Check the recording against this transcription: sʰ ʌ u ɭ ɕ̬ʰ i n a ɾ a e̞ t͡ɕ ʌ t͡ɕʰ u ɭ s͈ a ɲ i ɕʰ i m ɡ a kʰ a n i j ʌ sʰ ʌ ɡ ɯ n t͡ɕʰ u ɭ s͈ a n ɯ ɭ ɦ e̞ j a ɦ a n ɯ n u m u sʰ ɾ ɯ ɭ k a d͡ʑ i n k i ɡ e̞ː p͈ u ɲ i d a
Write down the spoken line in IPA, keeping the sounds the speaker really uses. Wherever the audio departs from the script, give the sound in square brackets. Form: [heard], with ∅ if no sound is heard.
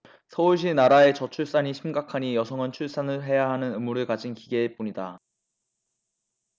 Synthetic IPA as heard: sʰ ʌ u ɭ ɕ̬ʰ i n a ɾ a e̞ t͡ɕ ʌ t͡ɕʰ u ɭ s͈ a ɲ i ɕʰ i m ɡ a kʰ a [ɲ] i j ʌ sʰ ʌ [ŋ] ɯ n t͡ɕʰ u ɭ s͈ a n ɯ ɭ ɦ e̞ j a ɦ a n ɯ n [ɯ] m u [∅] ɾ ɯ ɭ k a d͡ʑ i n k i ɡ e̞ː p͈ u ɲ i d a